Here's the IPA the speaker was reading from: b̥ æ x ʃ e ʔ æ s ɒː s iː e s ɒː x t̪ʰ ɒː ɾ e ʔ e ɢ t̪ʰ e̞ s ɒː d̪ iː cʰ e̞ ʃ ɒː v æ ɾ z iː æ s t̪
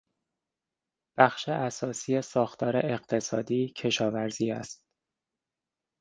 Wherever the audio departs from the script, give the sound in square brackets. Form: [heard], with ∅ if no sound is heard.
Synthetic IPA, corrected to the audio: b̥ æ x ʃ e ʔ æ s ɒː s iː e s ɒː x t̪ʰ ɒː ɾ e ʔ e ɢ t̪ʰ e̞ s ɒː d̪ iː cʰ e̞ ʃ ɒː v æ ɾ z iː æ s t̪

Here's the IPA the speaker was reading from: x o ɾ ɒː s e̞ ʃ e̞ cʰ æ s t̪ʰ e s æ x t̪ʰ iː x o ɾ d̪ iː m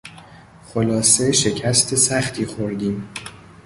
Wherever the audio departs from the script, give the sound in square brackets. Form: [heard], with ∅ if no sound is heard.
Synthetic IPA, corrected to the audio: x o [l] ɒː s e̞ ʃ e̞ cʰ æ s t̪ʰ e s æ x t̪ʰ iː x o ɾ d̪ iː m

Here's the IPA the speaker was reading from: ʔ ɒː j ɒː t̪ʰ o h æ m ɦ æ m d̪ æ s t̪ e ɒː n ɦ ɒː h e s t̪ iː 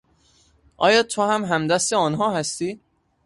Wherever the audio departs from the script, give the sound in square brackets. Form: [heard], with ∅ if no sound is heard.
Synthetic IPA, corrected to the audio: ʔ ɒː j ɒː t̪ʰ o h æ m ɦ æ m d̪ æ s t̪ e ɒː n ɦ ɒː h [æ] s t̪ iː

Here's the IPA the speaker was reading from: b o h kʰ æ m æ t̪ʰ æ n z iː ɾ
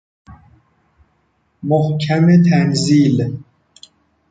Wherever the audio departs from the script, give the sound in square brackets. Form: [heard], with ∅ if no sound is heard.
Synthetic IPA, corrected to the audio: [m] o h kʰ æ m [e] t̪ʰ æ n z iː [l]

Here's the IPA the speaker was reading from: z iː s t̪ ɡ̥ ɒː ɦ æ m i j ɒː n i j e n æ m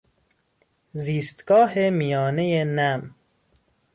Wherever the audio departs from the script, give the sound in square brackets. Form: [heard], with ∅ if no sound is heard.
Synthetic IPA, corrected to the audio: z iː s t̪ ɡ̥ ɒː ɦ [e] m i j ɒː n [e] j e n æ m

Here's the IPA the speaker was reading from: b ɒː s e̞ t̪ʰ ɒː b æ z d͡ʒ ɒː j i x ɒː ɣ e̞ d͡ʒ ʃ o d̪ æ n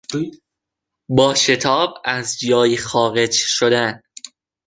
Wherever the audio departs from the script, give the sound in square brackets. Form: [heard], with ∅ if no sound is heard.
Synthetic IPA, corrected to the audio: b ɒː [ʃ] e̞ t̪ʰ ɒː b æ z d͡ʒ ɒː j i x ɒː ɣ e̞ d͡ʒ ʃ o d̪ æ n

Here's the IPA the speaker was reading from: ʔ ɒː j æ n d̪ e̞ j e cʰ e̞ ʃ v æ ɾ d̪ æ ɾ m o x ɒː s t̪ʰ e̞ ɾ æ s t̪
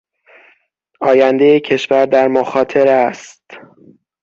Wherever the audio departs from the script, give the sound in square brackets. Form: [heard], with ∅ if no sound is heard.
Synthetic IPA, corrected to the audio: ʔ ɒː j æ n d̪ e̞ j e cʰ e̞ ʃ v æ ɾ d̪ æ ɾ m o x ɒː [∅] t̪ʰ e̞ ɾ æ s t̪

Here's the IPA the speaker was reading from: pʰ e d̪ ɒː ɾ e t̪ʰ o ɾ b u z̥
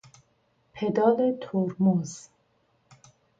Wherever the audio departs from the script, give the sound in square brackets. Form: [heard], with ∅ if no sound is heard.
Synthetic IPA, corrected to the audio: pʰ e d̪ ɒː [l] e t̪ʰ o ɾ [m] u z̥

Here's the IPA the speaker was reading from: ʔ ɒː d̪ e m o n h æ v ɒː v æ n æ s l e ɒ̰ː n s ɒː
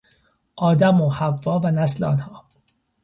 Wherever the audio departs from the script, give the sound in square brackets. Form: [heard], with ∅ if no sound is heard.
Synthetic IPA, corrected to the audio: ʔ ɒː d̪ [æ] m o [∅] h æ [vː] ɒː v æ n æ s l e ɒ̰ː n [h] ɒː

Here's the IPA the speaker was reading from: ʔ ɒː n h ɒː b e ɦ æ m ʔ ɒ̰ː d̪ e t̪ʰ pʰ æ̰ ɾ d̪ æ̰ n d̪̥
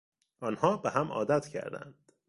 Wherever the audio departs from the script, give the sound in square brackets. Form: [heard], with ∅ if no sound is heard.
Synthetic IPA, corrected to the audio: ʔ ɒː n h ɒː b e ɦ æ m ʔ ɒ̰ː d̪ [æ] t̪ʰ [cʰ] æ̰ ɾ d̪ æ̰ n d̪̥

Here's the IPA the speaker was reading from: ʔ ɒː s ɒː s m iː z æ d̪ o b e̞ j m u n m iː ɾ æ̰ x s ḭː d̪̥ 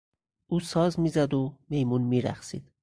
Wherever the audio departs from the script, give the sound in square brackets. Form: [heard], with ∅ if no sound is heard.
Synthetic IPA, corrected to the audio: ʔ [uː] s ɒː [z] m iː z æ d̪ o [m] e̞ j m u n m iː ɾ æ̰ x s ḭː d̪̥

